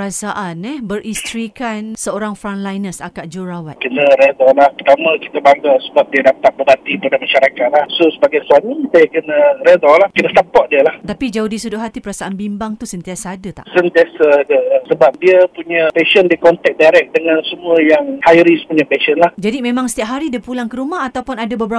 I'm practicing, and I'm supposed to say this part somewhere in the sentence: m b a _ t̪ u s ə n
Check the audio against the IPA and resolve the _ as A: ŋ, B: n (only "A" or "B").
A